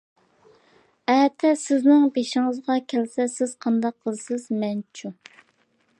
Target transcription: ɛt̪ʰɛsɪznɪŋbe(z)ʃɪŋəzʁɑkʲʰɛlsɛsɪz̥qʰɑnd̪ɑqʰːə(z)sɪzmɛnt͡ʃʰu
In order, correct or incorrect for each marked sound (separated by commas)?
incorrect, correct